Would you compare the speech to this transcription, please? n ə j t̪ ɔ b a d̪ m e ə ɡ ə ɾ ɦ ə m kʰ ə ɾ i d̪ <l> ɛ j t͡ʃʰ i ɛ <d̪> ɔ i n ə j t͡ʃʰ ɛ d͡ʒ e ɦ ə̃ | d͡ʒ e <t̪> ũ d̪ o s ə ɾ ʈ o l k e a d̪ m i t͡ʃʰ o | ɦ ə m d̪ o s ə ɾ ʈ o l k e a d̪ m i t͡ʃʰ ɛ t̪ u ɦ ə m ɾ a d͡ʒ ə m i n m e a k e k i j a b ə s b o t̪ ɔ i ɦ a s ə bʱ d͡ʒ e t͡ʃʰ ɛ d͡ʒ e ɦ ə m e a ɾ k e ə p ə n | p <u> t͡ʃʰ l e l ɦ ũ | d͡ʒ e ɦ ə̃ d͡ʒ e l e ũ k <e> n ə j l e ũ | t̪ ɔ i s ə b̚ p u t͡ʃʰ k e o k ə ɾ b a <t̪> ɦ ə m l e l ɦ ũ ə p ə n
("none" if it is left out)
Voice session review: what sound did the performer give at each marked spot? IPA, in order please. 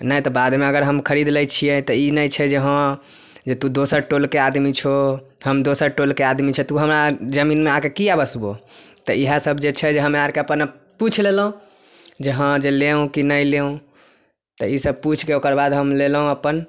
l, t̪, t̪, u, i, d̪

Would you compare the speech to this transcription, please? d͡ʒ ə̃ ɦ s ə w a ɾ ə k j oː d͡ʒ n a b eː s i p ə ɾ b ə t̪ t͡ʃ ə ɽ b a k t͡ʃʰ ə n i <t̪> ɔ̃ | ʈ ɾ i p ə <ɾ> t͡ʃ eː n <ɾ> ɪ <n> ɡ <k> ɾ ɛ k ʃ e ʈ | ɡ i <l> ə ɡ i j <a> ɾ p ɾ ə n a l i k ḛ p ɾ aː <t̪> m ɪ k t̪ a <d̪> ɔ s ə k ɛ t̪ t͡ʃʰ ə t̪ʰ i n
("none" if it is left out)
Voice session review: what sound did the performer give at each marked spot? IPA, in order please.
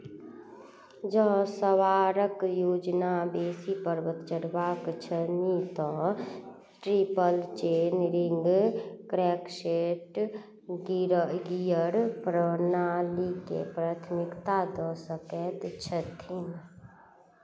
t̪, l, ɾ, ŋ, k, ɾ, ə, t̪ʰ, d̪

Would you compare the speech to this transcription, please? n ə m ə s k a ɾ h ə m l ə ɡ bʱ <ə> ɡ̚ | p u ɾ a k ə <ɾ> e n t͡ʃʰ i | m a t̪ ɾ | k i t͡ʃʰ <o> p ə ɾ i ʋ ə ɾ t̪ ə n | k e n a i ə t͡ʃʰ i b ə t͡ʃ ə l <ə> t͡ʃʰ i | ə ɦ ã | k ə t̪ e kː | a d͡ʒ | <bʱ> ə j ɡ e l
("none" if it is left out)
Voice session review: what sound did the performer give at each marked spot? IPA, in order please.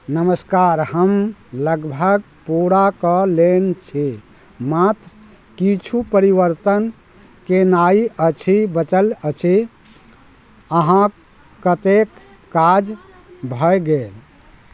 ə, l, u, ə, bʱ

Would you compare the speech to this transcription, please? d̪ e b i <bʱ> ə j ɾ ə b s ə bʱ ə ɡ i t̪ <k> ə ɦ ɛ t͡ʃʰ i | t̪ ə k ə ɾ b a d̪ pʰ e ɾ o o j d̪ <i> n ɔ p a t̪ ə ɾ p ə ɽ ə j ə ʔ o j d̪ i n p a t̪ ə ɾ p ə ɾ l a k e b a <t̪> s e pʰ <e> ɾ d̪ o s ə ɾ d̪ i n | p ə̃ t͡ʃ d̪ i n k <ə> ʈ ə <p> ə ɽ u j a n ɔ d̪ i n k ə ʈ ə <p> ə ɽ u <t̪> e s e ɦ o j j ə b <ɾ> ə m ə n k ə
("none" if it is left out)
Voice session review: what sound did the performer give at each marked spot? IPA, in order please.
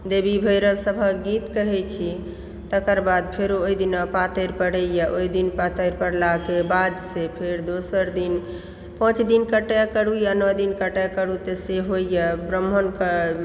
bʱ, k, i, d̪, e, ə, k, k, t̪, ɾ

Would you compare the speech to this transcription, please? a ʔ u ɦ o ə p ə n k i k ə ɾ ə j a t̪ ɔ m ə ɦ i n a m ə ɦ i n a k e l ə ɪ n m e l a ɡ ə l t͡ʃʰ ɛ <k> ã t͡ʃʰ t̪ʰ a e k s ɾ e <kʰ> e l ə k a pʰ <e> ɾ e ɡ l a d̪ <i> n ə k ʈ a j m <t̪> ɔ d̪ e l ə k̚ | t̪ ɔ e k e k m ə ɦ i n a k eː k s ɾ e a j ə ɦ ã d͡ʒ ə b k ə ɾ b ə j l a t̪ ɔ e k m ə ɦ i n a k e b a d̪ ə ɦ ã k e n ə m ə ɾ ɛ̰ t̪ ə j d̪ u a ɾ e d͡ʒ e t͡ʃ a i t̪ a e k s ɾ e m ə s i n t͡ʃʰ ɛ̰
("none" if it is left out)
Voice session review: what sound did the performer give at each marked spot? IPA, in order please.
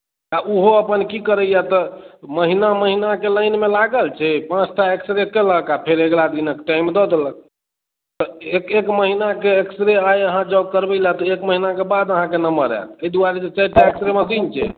p, k, e, i, d̪

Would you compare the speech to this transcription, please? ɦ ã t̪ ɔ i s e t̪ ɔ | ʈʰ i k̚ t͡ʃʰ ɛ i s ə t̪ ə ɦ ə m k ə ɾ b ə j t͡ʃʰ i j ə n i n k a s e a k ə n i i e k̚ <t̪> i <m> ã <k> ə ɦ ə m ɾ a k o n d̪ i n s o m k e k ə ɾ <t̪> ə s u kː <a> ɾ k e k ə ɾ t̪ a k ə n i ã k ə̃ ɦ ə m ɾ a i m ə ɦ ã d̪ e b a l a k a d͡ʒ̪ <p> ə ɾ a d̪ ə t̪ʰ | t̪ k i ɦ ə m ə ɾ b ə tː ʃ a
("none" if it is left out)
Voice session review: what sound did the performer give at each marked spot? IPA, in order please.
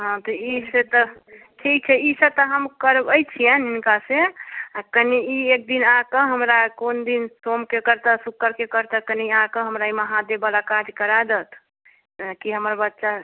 d̪, n, k, t̪, ə, k

